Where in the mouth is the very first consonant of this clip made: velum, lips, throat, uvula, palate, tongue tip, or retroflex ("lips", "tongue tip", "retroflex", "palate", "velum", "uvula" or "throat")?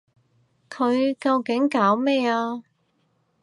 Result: velum